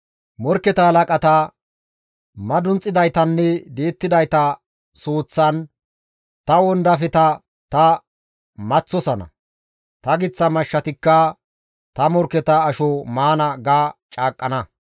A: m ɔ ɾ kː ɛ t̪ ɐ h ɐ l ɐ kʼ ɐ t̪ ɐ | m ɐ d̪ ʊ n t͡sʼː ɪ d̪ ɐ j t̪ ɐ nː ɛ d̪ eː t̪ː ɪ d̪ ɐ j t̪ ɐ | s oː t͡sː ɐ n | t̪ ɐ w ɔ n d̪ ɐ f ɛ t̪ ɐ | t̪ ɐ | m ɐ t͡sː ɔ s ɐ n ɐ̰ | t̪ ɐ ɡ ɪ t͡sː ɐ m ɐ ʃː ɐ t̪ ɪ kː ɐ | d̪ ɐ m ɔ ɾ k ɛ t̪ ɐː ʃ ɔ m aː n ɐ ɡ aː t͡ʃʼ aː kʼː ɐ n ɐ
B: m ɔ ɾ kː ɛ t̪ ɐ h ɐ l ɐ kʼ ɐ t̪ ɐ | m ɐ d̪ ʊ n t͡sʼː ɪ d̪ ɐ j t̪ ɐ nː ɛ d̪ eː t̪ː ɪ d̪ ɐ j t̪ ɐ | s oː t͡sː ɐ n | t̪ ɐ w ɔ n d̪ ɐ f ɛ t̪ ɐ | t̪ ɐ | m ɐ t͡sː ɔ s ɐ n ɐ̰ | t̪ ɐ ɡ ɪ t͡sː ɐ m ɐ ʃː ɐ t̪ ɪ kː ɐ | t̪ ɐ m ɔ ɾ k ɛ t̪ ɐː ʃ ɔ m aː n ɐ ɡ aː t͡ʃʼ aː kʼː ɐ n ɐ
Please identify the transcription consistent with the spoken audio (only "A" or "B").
B